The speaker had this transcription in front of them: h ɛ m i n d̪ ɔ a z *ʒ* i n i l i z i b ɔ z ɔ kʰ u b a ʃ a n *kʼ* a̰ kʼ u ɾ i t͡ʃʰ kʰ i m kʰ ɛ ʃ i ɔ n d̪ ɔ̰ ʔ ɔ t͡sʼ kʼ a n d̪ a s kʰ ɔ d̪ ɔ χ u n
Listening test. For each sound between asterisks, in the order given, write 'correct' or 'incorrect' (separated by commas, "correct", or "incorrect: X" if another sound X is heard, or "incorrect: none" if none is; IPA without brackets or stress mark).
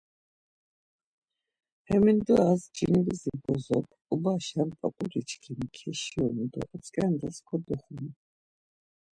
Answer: incorrect: d͡ʒ, incorrect: pʼ